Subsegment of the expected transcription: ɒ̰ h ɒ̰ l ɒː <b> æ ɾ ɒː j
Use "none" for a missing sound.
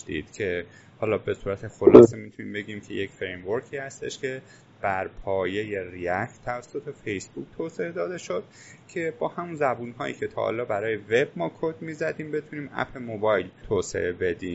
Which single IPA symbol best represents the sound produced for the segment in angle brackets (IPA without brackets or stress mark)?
b